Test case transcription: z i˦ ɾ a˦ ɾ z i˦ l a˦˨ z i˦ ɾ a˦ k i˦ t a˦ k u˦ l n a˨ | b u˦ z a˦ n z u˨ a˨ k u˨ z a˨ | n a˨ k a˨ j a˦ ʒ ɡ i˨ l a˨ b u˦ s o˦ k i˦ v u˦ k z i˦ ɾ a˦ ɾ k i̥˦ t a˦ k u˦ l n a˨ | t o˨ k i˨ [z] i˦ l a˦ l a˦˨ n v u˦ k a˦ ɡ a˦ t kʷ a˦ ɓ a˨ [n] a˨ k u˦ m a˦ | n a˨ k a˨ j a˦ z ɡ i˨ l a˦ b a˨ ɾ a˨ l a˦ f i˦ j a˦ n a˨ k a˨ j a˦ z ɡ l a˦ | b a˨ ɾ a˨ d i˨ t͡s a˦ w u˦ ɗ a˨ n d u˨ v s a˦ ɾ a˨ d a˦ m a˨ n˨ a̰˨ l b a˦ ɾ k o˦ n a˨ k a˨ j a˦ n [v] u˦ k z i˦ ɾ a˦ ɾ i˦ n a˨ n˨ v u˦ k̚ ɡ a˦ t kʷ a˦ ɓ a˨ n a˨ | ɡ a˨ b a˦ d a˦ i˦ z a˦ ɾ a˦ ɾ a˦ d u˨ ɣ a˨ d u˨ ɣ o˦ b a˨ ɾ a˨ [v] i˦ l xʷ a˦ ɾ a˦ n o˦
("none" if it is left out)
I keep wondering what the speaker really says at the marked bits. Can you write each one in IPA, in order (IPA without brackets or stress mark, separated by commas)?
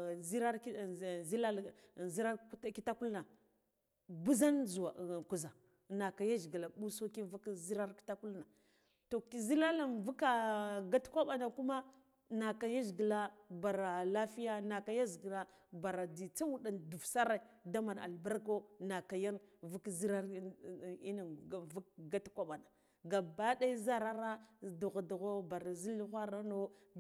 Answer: z, n, v, z